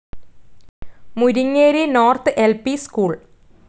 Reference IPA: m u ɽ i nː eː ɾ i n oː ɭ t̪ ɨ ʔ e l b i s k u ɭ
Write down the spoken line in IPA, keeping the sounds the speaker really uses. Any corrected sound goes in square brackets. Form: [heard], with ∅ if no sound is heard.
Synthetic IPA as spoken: m u [ɾ] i [ŋː] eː ɾ i n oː [r] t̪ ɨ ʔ e l [p] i s k [uː] ɭ